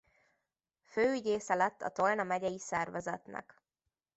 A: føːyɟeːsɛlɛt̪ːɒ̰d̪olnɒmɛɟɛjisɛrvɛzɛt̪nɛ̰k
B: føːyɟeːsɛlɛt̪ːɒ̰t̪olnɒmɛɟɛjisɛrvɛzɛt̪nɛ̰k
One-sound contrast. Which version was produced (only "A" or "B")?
B